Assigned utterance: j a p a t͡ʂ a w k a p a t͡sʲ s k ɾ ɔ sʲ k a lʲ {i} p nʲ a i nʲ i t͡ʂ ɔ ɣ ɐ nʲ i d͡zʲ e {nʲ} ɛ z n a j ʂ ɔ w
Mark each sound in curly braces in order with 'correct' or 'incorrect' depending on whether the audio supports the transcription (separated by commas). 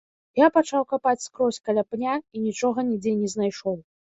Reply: incorrect, correct